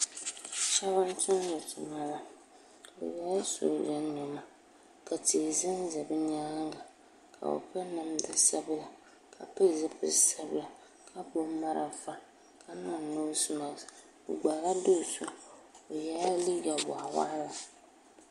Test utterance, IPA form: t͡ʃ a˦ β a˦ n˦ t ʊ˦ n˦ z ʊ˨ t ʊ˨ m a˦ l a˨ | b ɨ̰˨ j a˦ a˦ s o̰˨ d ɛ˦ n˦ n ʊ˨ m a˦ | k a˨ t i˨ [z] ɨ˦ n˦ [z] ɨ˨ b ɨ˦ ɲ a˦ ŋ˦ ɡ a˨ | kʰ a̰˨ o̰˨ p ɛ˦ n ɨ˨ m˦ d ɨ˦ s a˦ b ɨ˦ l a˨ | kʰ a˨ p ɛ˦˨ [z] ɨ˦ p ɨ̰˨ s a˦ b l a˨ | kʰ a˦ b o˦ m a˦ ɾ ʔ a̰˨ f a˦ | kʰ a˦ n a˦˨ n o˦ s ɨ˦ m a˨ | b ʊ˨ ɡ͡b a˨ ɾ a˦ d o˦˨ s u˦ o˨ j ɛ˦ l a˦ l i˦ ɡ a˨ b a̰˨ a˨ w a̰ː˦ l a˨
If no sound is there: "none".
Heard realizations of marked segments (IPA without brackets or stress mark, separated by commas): z, z, z